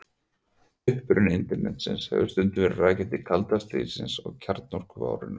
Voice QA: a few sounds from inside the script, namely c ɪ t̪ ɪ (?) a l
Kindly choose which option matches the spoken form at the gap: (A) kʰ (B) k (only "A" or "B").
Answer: A